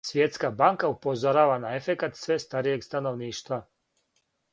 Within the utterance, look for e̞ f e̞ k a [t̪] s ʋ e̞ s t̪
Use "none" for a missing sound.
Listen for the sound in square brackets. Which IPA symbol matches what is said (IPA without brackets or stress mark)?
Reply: t̪